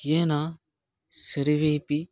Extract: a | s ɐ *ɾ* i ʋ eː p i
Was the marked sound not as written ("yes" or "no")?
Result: no